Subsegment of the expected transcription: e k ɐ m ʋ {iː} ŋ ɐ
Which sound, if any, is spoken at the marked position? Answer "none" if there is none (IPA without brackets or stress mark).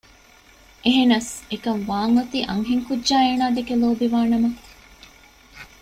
aː